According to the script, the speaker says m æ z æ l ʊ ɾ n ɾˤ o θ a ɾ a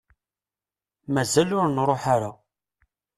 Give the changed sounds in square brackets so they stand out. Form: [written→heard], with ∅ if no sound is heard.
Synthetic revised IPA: m æ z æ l ʊ ɾ n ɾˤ o [θ→ħ] a ɾ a

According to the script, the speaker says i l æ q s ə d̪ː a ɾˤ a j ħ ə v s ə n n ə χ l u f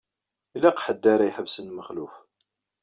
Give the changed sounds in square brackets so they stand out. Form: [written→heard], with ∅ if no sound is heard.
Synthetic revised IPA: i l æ q [s→ħ] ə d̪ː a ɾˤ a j ħ ə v s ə n [n→m] ə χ l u f

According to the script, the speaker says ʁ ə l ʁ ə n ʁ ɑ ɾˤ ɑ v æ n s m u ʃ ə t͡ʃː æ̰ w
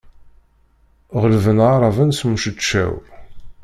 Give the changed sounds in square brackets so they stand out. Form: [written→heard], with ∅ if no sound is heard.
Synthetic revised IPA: ʁ ə l [ʁ→v] ə n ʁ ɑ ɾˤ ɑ v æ n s m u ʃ ə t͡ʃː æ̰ w

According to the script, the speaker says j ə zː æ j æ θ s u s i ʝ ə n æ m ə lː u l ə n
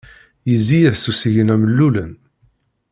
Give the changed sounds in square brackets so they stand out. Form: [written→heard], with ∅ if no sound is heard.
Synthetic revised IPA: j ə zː [æ→i] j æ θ s u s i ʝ ə n æ m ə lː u l ə n

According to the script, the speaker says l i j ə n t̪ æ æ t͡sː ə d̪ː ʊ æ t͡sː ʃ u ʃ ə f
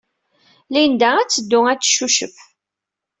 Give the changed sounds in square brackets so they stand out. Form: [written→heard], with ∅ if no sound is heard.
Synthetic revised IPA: l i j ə n [t̪→d̪] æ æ t͡sː ə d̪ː ʊ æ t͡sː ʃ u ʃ ə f

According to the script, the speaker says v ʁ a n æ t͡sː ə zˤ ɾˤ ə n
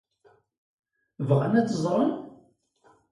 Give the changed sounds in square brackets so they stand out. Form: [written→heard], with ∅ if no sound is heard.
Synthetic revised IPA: v ʁ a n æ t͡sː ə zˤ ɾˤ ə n

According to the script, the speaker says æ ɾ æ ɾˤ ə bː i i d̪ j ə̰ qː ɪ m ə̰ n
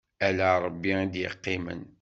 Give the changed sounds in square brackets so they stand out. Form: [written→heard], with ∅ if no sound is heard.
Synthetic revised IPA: æ [ɾ→l] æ ɾˤ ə bː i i d̪ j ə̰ qː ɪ m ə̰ n

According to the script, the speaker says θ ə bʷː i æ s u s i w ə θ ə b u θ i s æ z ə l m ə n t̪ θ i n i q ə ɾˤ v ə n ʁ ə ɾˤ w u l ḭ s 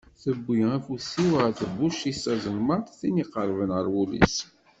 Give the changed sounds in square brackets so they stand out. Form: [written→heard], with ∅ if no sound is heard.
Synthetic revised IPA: θ ə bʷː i æ [s→f] u s i w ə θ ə b u [θ→ʃ] i s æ z ə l m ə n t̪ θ i n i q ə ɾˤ v ə n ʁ ə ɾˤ w u l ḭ s

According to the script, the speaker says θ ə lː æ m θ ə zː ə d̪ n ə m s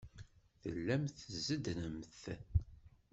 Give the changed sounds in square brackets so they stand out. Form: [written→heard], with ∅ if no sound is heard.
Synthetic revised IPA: θ ə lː æ m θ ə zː ə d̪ n ə m [s→θ]

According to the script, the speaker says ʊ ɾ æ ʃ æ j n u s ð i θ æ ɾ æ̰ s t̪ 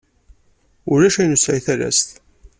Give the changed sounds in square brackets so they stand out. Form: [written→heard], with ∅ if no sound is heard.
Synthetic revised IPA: ʊ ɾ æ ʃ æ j n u s [ð→ʕ] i θ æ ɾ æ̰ s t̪

